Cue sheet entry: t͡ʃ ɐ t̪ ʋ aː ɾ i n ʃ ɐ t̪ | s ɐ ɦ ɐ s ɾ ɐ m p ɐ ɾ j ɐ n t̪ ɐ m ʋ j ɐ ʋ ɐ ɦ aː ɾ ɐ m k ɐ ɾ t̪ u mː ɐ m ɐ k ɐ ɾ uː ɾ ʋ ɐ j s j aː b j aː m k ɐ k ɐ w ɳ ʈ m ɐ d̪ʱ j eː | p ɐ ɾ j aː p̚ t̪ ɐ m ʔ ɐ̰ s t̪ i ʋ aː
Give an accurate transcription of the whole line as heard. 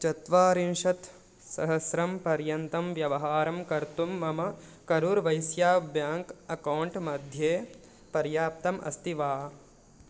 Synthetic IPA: t͡ʃ ɐ t̪ ʋ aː ɾ i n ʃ ɐ t̪ | s ɐ ɦ ɐ s ɾ ɐ m p ɐ ɾ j ɐ n t̪ ɐ m ʋ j ɐ ʋ ɐ ɦ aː ɾ ɐ m k ɐ ɾ t̪ u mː ɐ m ɐ k ɐ ɾ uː ɾ ʋ ɐ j s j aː b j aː ŋ k ɐ k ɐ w ɳ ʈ m ɐ d̪ʱ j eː | p ɐ ɾ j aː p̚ t̪ ɐ m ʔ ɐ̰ s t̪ i ʋ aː